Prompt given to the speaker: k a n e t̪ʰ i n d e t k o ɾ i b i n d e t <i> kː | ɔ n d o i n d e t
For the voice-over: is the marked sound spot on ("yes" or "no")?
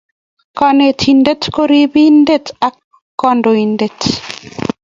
no